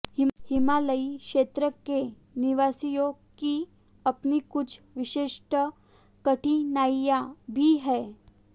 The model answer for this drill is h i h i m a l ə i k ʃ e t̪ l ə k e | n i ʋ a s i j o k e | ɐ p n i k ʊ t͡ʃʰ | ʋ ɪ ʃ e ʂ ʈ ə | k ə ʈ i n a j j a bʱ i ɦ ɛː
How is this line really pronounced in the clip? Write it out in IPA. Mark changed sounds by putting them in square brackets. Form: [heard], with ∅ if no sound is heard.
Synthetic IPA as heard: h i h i m a l ə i k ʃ e t̪ [ɾ] ə k e | n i ʋ a s i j o k [i] | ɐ p n i k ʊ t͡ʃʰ | ʋ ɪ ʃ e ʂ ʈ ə | k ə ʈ i n a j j a bʱ i ɦ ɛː